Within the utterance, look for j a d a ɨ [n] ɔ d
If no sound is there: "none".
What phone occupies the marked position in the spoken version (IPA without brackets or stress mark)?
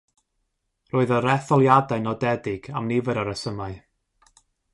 n